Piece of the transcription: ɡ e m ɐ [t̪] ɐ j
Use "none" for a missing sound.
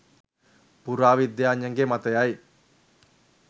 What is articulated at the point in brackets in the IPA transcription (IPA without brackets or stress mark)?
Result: t̪